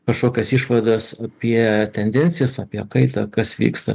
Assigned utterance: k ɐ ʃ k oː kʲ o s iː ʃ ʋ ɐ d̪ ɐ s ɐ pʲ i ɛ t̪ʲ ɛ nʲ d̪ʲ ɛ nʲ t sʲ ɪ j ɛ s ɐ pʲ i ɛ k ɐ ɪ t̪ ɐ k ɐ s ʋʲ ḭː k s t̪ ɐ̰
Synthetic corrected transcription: k ɐ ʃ k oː kʲ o s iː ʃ ʋ ɐ d̪ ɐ s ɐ pʲ i ɛ t̪ʲ ɛ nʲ d̪ʲ ɛ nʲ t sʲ ɪ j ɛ s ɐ pʲ i ɛ k ɐ ɪ t̪ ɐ k ɐ s ʋʲ ḭː k s t̪ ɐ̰

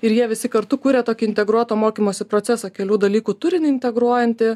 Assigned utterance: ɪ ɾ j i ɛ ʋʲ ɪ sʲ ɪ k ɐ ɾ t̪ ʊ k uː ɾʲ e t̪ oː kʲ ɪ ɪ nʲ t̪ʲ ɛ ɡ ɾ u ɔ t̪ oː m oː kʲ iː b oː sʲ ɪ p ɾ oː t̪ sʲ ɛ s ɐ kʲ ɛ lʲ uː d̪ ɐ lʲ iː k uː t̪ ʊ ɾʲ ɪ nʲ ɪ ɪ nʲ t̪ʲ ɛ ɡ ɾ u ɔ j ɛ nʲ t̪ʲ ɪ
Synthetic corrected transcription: ɪ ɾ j i ɛ ʋʲ ɪ sʲ ɪ k ɐ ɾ t̪ ʊ k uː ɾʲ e t̪ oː kʲ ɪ ɪ nʲ t̪ʲ ɛ ɡ ɾ u ɔ t̪ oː m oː kʲ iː m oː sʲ ɪ p ɾ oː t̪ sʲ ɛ s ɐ kʲ ɛ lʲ uː d̪ ɐ lʲ iː k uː t̪ ʊ ɾʲ ɪ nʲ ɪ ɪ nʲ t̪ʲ ɛ ɡ ɾ u ɔ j ɛ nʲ t̪ʲ ɪ

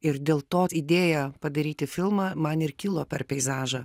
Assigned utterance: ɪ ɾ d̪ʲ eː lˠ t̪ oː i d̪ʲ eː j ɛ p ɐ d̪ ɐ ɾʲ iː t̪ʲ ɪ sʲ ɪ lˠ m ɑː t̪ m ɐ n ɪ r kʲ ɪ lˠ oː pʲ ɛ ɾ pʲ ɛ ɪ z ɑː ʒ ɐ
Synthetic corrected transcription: ɪ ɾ d̪ʲ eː lˠ t̪ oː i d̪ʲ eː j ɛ p ɐ d̪ ɐ ɾʲ iː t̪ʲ ɪ fʲ ɪ lˠ m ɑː m ɐ n ɪ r kʲ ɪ lˠ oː pʲ ɛ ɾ pʲ ɛ ɪ z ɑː ʒ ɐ

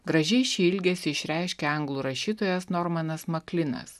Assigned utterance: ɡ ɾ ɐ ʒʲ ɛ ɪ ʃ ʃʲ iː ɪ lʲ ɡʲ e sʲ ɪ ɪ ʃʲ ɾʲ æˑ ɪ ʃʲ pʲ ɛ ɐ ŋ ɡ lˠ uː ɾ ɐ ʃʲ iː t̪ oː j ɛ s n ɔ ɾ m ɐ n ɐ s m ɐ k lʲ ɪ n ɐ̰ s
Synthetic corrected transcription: ɡ ɾ ɐ ʒʲ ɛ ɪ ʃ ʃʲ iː ɪ lʲ ɡʲ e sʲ ɪ ɪ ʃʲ ɾʲ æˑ ɪ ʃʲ kʲ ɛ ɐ ŋ ɡ lˠ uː ɾ ɐ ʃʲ iː t̪ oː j ɛ s n ɔ ɾ m ɐ n ɐ s m ɐ k lʲ ɪ n ɐ̰ s

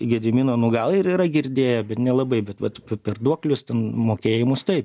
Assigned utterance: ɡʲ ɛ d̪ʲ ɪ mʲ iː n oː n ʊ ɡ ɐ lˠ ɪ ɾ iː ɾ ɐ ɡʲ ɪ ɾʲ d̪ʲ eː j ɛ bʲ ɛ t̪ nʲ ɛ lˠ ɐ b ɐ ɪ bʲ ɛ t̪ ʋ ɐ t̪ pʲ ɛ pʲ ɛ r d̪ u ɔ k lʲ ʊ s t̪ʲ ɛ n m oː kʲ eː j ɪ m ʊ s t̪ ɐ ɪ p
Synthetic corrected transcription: ɡʲ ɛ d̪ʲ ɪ mʲ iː n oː n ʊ ɡ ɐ lˠ ɪ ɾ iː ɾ ɐ ɡʲ ɪ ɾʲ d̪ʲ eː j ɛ bʲ ɛ t̪ nʲ ɛ lˠ ɐ b ɐ ɪ bʲ ɛ t̪ ʋ ɐ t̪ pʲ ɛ pʲ ɛ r d̪ u ɔ k lʲ ʊ s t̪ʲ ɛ n m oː kʲ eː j ɪ m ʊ s t̪ ɐ ɪ p

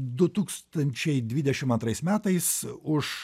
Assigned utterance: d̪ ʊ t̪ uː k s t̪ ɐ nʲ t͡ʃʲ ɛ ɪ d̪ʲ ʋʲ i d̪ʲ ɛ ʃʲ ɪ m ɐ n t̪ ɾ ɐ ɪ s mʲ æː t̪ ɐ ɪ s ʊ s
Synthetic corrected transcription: d̪ ʊ t̪ uː k s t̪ ɐ nʲ t͡ʃʲ ɛ ɪ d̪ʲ ʋʲ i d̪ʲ ɛ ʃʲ ɪ m ɐ n t̪ ɾ ɐ ɪ s mʲ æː t̪ ɐ ɪ s ʊ ʃ

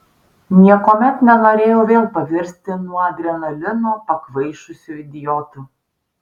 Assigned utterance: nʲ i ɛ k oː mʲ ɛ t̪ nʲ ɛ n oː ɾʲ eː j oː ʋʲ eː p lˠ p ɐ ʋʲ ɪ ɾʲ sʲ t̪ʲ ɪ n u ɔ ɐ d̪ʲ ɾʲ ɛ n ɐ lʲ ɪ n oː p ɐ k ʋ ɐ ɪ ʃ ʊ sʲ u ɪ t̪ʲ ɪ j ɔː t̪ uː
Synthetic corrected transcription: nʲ i ɛ k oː mʲ ɛ t̪ nʲ ɛ n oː ɾʲ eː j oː ʋʲ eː lˠ p ɐ ʋʲ ɪ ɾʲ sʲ t̪ʲ ɪ n u ɔ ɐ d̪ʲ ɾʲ ɛ n ɐ lʲ ɪ n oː p ɐ k ʋ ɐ ɪ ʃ ʊ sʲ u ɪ d̪ʲ ɪ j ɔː t̪ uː

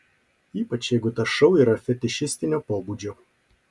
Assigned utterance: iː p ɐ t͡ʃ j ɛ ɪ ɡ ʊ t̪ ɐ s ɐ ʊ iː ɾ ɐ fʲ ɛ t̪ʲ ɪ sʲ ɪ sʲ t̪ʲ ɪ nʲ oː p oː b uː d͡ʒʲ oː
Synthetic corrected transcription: iː p ɐ t͡ʃ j ɛ ɪ ɡ ʊ t̪ ɐ ʃ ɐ ʊ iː ɾ ɐ fʲ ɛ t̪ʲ ɪ ʃʲ ɪ sʲ t̪ʲ ɪ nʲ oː p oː b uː d͡ʒʲ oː

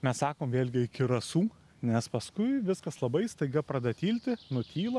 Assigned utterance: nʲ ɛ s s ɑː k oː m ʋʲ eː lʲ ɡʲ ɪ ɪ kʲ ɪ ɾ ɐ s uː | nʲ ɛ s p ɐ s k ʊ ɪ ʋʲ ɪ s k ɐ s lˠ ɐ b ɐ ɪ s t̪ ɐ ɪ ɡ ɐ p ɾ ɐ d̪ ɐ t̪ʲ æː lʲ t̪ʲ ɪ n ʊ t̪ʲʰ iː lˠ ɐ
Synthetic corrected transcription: mʲ ɛ s s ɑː k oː m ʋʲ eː lʲ ɡʲ ɪ ɪ kʲ ɪ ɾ ɐ s uː | nʲ ɛ s p ɐ s k ʊ ɪ ʋʲ ɪ s k ɐ s lˠ ɐ b ɐ ɪ s t̪ ɐ ɪ ɡ ɐ p ɾ ɐ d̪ ɐ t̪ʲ iː lʲ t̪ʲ ɪ n ʊ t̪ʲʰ iː lˠ ɐ

